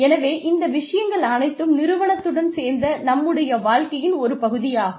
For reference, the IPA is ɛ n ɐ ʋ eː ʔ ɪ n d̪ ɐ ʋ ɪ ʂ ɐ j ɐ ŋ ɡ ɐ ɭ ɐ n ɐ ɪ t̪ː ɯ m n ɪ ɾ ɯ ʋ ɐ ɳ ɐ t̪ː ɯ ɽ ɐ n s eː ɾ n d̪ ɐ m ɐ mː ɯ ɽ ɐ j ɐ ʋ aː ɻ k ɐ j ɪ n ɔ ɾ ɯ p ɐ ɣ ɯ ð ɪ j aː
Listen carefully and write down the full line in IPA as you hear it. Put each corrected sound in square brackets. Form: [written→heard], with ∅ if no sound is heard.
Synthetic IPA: ɛ n ɐ ʋ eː ʔ ɪ n d̪ ɐ ʋ ɪ ʂ ɐ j ɐ ŋ ɡ ɐ ɭ ɐ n ɐ ɪ t̪ː ɯ m n ɪ ɾ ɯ ʋ ɐ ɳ ɐ t̪ː ɯ ɽ ɐ n s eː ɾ n d̪ ɐ [m→n] ɐ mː ɯ ɽ ɐ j ɐ ʋ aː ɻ k ɐ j ɪ n ɔ ɾ ɯ p ɐ ɣ ɯ ð ɪ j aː